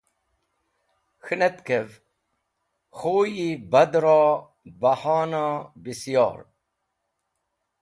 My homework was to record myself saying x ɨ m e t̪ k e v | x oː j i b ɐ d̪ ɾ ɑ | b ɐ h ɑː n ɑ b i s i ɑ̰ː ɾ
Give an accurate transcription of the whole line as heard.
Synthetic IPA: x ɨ n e t̪ k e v | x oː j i b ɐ d̪ ɾ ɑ | b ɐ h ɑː n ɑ b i s j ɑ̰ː ɾ